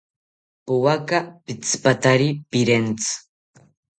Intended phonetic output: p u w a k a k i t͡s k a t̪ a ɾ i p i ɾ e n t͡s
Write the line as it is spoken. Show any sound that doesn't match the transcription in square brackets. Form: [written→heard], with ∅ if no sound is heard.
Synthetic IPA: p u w a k a [k→p] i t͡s [k→p] a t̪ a ɾ i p i ɾ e n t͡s

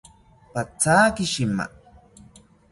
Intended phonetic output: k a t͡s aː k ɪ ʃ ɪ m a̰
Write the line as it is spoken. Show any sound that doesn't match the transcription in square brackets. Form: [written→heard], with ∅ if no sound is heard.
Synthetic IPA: [k→p] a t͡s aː k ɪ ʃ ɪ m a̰

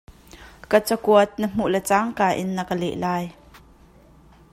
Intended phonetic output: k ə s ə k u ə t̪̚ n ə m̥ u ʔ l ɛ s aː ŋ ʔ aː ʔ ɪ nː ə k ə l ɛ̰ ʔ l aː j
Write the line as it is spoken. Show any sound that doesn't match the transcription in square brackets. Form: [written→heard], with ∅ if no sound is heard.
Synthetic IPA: k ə [s→t͡s] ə k u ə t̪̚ n ə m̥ u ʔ l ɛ [s→t͡s] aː ŋ [ʔ→k] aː ʔ ɪ nː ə k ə l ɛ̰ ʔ l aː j

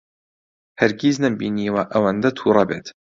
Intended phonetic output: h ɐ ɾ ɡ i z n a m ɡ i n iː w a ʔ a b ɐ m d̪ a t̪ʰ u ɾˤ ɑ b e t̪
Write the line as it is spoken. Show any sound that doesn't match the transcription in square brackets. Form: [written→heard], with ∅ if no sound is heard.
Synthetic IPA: h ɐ ɾ ɡ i z n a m [ɡ→b] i n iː w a ʔ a [b→w] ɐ [m→n] d̪ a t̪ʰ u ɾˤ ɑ b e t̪

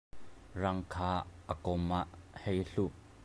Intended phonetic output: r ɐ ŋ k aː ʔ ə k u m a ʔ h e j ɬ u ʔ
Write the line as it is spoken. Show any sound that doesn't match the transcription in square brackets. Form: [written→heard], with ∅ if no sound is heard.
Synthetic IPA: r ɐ ŋ [k→kʰ] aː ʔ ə k [u→ɔ] m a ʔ h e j ɬ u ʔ

